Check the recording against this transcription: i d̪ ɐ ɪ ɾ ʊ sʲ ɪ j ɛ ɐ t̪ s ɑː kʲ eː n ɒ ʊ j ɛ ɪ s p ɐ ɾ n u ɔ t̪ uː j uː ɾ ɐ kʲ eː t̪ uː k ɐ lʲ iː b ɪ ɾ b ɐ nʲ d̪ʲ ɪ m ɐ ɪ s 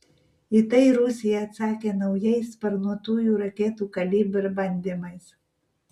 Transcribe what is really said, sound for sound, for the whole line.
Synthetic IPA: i t̪ ɐ ɪ ɾ ʊ sʲ ɪ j ɛ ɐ t̪ s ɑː kʲ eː n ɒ ʊ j ɛ ɪ s p ɐ ɾ n u ɔ t̪ uː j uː ɾ ɐ kʲ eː t̪ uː k ɐ lʲ iː b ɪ ɾ b ɐ nʲ d̪ʲ ɪ m ɐ ɪ s